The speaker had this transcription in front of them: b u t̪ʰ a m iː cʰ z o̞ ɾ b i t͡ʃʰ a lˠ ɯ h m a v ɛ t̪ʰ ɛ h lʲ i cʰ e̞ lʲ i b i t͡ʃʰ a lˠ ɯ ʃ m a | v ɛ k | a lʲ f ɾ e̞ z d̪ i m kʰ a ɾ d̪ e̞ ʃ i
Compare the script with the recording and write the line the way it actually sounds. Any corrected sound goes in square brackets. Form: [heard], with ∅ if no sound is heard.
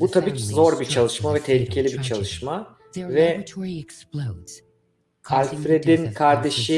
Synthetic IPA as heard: b u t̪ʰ a [b] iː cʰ z o̞ ɾ b i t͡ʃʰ a lˠ ɯ [ʃ] m a v ɛ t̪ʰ ɛ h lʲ i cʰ e̞ lʲ i b i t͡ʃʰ a lˠ ɯ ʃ m a | v ɛ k | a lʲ f ɾ e̞ [∅] d̪ i [n] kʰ a ɾ d̪ e̞ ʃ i

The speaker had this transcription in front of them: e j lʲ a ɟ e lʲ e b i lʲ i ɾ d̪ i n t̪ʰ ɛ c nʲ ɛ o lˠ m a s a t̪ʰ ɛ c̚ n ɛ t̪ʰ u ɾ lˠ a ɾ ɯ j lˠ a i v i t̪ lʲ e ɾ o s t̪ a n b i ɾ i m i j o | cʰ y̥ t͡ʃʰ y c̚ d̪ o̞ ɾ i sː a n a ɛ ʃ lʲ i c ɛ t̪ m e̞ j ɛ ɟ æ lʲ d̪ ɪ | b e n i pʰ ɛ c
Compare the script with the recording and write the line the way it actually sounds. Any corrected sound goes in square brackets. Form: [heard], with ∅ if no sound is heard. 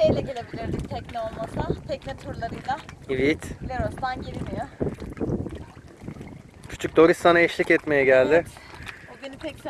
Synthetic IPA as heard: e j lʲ [ɛ] ɟ e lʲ e b i lʲ i ɾ d̪ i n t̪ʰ ɛ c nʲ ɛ o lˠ m a s a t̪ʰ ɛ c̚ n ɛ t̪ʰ u ɾ lˠ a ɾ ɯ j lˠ a i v i t̪ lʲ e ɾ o s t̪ a n [ɟ] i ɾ i m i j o | cʰ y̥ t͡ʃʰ y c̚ d̪ o̞ ɾ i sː a n a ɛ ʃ lʲ i c ɛ t̪ m e̞ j ɛ ɟ æ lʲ d̪ ɪ | b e n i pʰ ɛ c

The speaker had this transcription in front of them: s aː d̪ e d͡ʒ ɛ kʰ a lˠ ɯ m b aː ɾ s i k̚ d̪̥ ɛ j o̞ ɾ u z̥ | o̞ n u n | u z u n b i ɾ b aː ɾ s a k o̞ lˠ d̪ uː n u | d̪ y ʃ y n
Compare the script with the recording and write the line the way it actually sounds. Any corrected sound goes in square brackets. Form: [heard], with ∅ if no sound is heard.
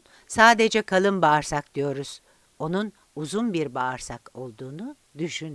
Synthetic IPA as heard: s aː d̪ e d͡ʒ ɛ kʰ a lˠ ɯ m b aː ɾ s [a] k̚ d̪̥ [i] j o̞ ɾ u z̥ | o̞ n u n | u z u n b i ɾ b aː ɾ s a k o̞ lˠ d̪ uː n u | d̪ y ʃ y n

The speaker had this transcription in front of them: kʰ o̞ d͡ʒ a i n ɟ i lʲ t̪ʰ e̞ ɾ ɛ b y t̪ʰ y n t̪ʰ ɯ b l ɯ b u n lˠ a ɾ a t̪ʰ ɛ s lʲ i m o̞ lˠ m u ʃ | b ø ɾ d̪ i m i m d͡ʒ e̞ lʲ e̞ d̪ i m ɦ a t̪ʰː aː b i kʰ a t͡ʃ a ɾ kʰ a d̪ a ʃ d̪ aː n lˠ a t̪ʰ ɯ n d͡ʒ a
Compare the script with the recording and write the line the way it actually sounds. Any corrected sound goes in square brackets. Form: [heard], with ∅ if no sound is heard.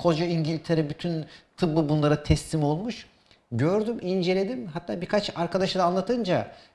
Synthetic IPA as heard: kʰ o̞ d͡ʒ a i [ɲ] ɟ i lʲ t̪ʰ e̞ ɾ ɛ b y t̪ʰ y n t̪ʰ ɯ b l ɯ b u n lˠ a ɾ a t̪ʰ ɛ s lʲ i m o̞ lˠ m u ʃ | [ɟ] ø ɾ d̪ [y] m i [n] d͡ʒ e̞ lʲ e̞ d̪ i m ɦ a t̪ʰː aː b i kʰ a t͡ʃ a ɾ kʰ a d̪ a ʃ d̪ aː n lˠ a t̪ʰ ɯ n d͡ʒ a

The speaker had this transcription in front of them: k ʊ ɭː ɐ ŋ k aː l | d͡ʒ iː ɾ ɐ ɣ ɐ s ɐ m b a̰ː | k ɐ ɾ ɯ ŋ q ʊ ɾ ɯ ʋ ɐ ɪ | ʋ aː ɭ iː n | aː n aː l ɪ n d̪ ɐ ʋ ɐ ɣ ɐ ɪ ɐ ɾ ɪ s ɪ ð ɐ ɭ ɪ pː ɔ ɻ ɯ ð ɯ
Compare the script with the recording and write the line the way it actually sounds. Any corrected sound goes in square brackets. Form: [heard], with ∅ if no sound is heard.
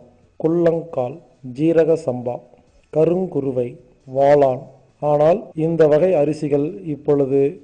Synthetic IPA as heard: k ʊ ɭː ɐ ŋ k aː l | d͡ʒ iː ɾ ɐ ɣ ɐ s ɐ m b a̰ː | k ɐ ɾ ɯ ŋ [k] ʊ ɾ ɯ ʋ ɐ ɪ | ʋ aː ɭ [aː] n | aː n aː l ɪ n d̪ ɐ ʋ ɐ ɣ ɐ ɪ ɐ ɾ ɪ s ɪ [ɣ] ɐ ɭ ɪ pː ɔ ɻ ɯ ð ɯ

